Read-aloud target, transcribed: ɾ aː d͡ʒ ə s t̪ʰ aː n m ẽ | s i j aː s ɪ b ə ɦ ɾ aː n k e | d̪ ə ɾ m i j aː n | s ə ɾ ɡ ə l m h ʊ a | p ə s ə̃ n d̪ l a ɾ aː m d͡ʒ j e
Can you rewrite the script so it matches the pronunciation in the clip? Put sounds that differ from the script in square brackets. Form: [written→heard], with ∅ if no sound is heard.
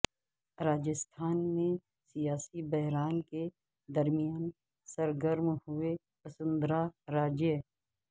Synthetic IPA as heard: ɾ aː d͡ʒ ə s t̪ʰ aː n m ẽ | s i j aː s [ɪ→i] b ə ɦ ɾ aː n k e | d̪ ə ɾ m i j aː n | s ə ɾ ɡ ə [l→ɾ] m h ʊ [a→e] | p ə s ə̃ n d̪ [l→ɾ] a ɾ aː [m→∅] d͡ʒ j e

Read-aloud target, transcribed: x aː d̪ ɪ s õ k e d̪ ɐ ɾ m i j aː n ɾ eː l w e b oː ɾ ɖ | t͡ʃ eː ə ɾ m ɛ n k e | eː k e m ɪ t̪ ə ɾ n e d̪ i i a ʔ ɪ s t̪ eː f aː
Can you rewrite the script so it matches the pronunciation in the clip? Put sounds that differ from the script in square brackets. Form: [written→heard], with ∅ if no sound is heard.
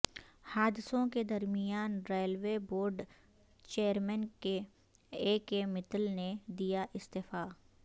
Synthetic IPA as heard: [x→h] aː d̪ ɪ s õ k e d̪ ɐ ɾ m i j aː n ɾ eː l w e b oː ɾ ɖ | t͡ʃ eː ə ɾ m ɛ n k e | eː k e m ɪ t̪ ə [ɾ→l] n e d̪ i [i→j] a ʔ ɪ s t̪ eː f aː

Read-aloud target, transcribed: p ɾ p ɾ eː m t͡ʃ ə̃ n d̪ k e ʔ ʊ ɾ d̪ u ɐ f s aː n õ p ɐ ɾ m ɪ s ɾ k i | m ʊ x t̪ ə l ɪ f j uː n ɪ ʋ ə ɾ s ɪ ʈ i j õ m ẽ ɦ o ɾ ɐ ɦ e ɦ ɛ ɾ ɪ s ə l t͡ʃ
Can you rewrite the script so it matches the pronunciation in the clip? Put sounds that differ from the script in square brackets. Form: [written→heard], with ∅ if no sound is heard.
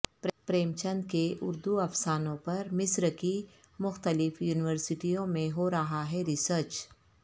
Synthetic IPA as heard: p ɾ p ɾ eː m t͡ʃ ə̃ n d̪ k e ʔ ʊ ɾ d̪ u ɐ f s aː n õ p ɐ ɾ m ɪ s ɾ k i | m ʊ x t̪ ə l ɪ f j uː n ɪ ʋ ə ɾ s ɪ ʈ i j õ m ẽ ɦ o ɾ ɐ ɦ [e→a] ɦ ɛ ɾ ɪ s ə [l→ɾ] t͡ʃ

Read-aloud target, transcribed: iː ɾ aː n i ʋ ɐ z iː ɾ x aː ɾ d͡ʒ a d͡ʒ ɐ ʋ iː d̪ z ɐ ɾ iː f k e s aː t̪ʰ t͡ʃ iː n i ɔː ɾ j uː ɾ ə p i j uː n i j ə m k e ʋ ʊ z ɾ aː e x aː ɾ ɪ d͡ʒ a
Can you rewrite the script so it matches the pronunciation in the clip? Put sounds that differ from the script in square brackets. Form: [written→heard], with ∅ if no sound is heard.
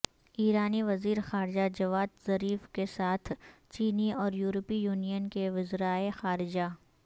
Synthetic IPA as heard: iː ɾ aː n i ʋ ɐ z iː ɾ x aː ɾ d͡ʒ a d͡ʒ ɐ ʋ [iː→aː] d̪ z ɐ ɾ iː f k e s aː t̪ʰ t͡ʃ iː n i ɔː ɾ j uː ɾ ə p i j uː n i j ə [m→n] k e ʋ ʊ z ɾ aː e x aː ɾ ɪ d͡ʒ a

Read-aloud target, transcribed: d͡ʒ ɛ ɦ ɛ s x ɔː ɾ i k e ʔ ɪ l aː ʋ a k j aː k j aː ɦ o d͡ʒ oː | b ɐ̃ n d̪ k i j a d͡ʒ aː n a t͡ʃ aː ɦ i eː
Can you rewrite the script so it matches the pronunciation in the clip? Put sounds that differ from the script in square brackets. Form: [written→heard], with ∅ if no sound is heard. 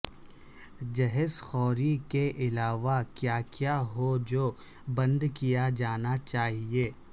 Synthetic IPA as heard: d͡ʒ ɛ ɦ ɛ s x ɔː ɾ i k e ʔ ɪ l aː ʋ a k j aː k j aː ɦ o d͡ʒ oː | b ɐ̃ n d̪ k i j a d͡ʒ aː n a t͡ʃ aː ɦ i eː

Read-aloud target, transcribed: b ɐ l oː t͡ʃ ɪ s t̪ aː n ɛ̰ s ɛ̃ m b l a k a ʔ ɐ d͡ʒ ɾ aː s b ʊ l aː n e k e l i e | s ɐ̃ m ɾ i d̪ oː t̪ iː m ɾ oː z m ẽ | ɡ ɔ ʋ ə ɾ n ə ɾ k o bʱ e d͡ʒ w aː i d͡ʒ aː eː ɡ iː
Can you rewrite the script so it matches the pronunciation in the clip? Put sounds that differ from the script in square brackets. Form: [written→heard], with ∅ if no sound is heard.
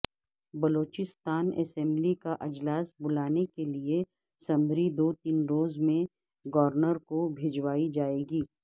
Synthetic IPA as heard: b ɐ l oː t͡ʃ ɪ s t̪ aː n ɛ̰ s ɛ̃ m b l [a→i] k a ʔ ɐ d͡ʒ [ɾ→l] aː s b ʊ l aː n e k e l i e | s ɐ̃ m ɾ i d̪ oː t̪ iː [m→n] ɾ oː z m ẽ | ɡ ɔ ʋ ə ɾ n ə ɾ k o bʱ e d͡ʒ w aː i d͡ʒ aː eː ɡ iː

